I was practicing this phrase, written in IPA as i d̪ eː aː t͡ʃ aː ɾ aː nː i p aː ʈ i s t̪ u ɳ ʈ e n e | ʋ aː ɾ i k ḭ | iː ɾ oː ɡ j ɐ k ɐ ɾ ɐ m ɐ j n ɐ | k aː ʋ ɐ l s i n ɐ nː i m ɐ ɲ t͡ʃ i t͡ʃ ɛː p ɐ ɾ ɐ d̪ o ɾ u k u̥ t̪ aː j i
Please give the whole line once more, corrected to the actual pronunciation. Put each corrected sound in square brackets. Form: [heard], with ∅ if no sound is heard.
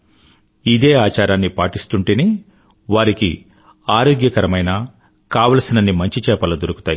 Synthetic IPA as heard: i d̪ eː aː t͡ʃ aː ɾ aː nː i p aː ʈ i s t̪ u ɳ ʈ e n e | ʋ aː ɾ i k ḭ | [aː] ɾ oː ɡ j ɐ k ɐ ɾ ɐ m ɐ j n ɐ | k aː ʋ ɐ l s i n ɐ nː i m ɐ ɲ t͡ʃ i t͡ʃ ɛː p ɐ [l] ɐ d̪ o ɾ u k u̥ t̪ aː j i

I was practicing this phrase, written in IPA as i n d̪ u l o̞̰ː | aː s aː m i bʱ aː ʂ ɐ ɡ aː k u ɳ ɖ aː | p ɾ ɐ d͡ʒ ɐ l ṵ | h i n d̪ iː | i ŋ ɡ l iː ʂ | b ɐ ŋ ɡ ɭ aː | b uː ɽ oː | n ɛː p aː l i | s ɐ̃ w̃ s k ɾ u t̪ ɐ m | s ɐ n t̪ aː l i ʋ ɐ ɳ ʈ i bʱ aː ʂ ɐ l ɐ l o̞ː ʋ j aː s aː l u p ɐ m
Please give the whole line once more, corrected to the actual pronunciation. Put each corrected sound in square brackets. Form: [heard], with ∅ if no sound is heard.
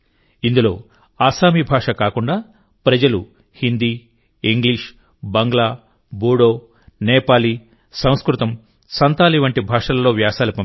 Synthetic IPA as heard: i n d̪ u l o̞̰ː | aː s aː m i bʱ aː ʂ ɐ [k] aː k u ɳ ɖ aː | p ɾ ɐ d͡ʒ ɐ l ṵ | h i n d̪ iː | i ŋ ɡ l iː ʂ | b ɐ ŋ ɡ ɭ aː | b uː ɽ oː | n ɛː p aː l i | s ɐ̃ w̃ s k ɾ u t̪ ɐ m | s ɐ n t̪ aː l i ʋ ɐ ɳ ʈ i bʱ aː ʂ ɐ l ɐ l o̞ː ʋ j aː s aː l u p ɐ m

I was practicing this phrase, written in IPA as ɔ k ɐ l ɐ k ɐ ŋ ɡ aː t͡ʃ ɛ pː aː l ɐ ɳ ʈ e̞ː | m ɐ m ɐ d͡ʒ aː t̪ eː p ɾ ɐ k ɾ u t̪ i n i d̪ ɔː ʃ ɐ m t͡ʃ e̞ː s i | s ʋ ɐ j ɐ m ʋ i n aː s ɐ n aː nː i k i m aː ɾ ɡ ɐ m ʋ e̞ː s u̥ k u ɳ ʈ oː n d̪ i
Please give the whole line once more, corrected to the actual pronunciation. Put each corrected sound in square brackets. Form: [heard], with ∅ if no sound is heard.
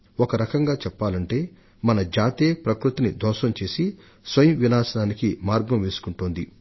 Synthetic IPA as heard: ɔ k ɐ [ɾ] ɐ k ɐ ŋ ɡ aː t͡ʃ ɛ pː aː l ɐ ɳ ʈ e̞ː | m ɐ [n] ɐ d͡ʒ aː t̪ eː p ɾ ɐ k ɾ u t̪ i n i d̪ ɔː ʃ ɐ m t͡ʃ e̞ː s i | s ʋ ɐ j ɐ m ʋ i n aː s ɐ n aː [n] i k i m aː ɾ ɡ ɐ m ʋ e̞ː s u̥ k u ɳ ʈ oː n d̪ i

